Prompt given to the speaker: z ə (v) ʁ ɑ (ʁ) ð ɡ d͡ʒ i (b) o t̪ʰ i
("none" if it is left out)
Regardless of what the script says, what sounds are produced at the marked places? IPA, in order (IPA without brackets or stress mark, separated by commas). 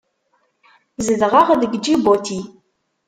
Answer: ð, ʁ, b